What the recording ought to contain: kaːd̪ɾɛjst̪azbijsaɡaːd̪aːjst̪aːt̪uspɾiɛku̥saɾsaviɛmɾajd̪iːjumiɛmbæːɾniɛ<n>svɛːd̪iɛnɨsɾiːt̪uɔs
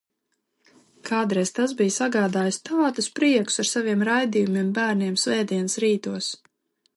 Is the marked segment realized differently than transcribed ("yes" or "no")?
yes